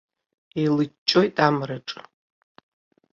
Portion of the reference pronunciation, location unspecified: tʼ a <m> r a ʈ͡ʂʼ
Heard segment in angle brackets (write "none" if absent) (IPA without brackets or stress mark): m